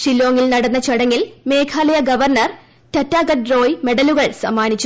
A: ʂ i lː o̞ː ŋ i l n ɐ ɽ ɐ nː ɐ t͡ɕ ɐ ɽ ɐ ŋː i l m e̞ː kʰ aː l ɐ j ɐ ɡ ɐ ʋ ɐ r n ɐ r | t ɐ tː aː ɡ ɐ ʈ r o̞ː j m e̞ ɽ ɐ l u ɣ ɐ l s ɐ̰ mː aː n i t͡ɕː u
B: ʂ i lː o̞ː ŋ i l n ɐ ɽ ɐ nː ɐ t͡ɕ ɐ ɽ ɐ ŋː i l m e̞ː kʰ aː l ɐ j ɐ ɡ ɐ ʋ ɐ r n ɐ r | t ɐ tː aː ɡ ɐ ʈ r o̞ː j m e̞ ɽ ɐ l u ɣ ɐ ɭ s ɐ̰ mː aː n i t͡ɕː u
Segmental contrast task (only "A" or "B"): B